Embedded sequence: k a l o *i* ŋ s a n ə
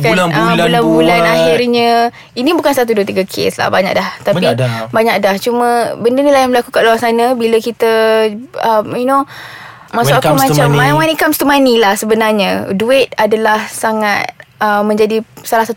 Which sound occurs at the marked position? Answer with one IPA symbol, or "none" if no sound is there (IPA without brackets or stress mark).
a